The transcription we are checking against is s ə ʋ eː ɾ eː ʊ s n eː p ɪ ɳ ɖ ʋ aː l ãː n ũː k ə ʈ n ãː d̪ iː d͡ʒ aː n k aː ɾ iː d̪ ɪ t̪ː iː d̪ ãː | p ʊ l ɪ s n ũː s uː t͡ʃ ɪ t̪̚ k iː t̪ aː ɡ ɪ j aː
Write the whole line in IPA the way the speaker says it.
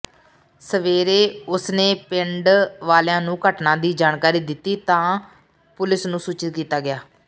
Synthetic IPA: s ə ʋ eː ɾ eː ʊ s n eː p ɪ ɳ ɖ ʋ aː l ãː n ũː k ə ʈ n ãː d̪ iː d͡ʒ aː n k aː ɾ iː d̪ ɪ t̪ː iː t̪ ãː | p ʊ l ɪ s n ũː s uː t͡ʃ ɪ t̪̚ k iː t̪ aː ɡ ɪ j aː